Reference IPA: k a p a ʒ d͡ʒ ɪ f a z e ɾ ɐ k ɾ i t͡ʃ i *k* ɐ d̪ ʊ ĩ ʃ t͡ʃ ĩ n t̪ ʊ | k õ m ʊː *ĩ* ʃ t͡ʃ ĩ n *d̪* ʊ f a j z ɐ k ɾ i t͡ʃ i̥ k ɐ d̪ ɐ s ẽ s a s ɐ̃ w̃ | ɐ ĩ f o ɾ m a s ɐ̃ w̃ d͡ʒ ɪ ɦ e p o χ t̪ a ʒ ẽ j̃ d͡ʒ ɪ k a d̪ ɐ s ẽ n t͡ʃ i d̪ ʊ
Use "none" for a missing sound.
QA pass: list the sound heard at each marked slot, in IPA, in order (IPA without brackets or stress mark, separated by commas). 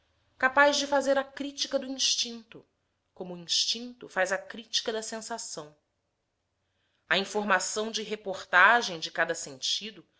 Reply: k, ĩ, t̪